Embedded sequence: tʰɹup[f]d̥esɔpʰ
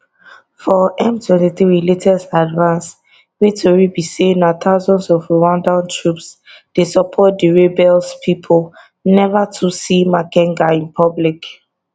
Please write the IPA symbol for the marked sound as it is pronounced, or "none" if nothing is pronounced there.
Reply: s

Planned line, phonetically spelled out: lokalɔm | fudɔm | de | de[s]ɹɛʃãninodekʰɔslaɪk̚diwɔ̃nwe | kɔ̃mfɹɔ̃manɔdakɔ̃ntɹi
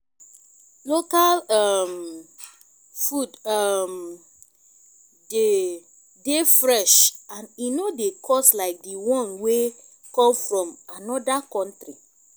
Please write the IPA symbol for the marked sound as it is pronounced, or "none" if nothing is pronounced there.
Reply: f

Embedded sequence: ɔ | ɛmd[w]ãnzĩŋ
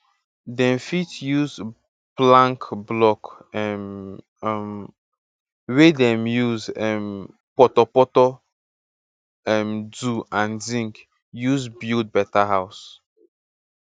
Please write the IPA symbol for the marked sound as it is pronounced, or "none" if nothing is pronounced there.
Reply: u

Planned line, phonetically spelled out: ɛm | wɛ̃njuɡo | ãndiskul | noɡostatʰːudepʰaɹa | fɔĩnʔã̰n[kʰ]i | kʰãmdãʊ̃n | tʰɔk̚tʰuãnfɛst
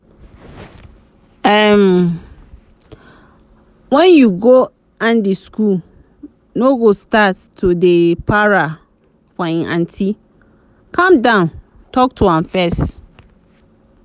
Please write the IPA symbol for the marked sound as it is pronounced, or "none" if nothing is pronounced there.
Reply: tʰ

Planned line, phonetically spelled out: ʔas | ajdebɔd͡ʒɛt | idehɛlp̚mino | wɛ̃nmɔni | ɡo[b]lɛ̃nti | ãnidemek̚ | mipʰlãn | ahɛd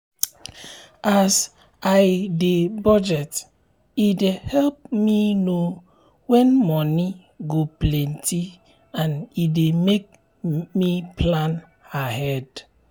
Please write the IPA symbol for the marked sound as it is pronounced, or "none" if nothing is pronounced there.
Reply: p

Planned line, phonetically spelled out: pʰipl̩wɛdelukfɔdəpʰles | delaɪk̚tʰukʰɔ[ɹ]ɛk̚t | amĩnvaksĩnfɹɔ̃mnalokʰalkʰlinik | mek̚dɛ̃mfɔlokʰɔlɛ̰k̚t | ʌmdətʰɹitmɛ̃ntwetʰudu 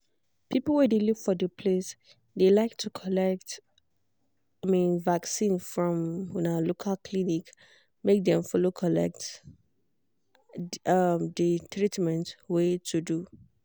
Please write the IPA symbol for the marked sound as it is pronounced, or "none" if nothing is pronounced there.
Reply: l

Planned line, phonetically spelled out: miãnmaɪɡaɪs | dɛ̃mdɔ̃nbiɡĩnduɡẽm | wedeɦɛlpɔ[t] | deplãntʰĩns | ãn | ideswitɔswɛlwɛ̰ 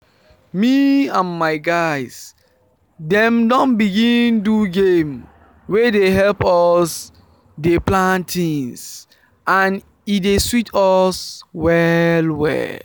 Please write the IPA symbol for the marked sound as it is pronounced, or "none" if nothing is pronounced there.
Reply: s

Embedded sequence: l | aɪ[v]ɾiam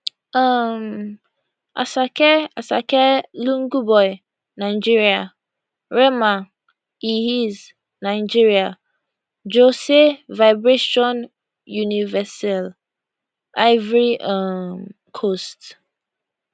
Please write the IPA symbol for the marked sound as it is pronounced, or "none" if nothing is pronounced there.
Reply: v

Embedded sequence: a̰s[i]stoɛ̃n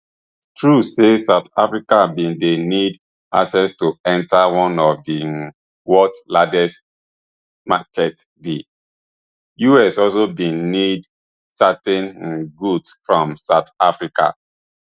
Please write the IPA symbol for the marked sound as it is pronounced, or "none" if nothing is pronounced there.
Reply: ɛ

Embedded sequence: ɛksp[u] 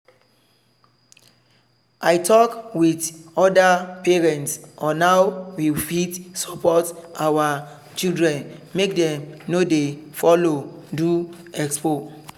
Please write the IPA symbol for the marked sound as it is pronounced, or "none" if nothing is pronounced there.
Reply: o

